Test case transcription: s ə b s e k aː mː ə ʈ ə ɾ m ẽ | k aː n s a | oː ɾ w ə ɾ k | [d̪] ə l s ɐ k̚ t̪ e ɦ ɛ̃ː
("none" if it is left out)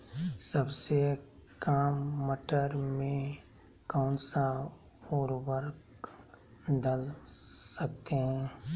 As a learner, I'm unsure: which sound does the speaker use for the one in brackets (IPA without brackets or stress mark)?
d̪